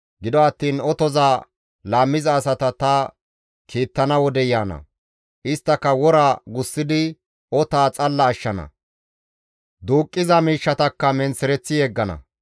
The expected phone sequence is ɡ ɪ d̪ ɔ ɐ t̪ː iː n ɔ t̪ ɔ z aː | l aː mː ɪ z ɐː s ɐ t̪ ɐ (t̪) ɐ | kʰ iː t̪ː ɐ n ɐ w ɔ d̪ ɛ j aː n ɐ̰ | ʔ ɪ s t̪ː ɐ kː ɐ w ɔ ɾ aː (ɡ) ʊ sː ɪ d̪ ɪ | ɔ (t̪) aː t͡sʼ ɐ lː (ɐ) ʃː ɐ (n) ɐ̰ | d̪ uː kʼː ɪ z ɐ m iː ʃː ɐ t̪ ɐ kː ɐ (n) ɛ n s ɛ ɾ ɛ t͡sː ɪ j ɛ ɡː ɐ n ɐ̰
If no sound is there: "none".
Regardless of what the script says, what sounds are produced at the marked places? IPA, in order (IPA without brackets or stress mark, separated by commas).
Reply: t̪, ɡ, t̪, ɐː, n, m